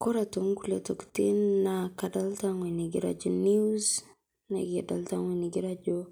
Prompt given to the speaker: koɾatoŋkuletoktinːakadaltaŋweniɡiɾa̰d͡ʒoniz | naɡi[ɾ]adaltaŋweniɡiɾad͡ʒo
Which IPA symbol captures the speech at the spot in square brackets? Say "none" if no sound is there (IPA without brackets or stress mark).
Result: none